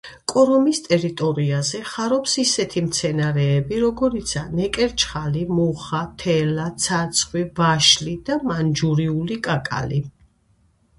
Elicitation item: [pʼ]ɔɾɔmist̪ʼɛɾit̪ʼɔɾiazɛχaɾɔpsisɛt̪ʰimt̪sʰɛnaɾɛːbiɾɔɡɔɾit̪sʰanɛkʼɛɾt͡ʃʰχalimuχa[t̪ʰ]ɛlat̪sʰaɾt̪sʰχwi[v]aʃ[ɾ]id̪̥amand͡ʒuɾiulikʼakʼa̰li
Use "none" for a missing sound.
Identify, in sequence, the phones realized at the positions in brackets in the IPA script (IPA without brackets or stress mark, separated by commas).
kʼ, t̪ʰ, v, l